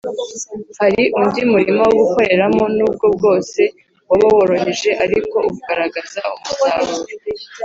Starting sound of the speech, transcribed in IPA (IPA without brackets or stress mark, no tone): h